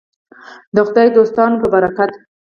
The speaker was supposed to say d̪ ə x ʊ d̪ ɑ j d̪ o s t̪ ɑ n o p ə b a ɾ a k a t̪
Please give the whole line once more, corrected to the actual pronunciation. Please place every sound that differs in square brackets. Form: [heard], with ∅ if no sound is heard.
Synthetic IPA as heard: d̪ ə x ʊ d̪ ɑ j d̪ o s t̪ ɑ n o p ə b a ɾ a k a t̪